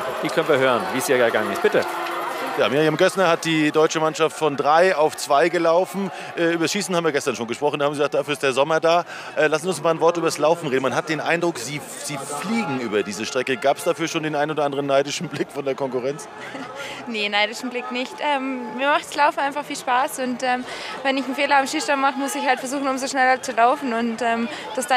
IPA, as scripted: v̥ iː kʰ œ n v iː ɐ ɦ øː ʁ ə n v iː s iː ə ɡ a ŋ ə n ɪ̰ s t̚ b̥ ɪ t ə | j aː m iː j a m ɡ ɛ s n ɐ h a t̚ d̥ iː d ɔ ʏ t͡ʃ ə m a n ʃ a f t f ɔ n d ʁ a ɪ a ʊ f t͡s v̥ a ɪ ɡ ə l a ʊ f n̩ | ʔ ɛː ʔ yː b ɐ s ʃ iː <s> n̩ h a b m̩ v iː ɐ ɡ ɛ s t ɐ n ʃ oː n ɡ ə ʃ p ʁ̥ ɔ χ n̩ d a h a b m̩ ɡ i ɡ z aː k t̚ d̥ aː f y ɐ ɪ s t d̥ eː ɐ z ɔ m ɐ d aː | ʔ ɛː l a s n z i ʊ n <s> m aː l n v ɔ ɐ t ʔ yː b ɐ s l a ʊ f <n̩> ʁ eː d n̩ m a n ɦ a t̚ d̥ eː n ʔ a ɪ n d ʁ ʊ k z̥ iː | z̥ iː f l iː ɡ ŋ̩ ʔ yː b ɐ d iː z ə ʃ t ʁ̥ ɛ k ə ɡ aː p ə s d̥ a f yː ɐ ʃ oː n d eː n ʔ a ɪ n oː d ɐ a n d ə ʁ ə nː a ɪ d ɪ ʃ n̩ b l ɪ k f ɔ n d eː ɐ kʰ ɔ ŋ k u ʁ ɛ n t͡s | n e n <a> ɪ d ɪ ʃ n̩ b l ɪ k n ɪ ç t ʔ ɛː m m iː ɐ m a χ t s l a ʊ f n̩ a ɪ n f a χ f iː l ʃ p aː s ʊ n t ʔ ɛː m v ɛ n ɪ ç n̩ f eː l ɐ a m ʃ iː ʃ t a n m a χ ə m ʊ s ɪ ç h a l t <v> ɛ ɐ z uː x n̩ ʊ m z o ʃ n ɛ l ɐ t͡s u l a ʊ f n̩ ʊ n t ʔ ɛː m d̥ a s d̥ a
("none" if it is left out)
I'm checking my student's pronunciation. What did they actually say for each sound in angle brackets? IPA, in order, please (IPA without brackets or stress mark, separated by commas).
s, s, n̩, a, f